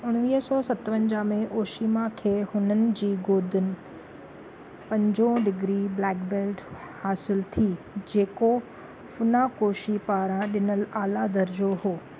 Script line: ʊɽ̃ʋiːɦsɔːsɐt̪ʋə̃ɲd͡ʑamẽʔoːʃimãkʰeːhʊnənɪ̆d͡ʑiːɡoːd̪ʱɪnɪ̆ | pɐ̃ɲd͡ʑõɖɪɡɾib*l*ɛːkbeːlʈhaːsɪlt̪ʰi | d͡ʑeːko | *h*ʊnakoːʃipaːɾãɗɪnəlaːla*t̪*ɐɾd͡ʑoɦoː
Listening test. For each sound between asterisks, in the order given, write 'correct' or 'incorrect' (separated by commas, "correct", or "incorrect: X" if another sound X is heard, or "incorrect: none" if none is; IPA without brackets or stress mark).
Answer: correct, incorrect: f, incorrect: d̪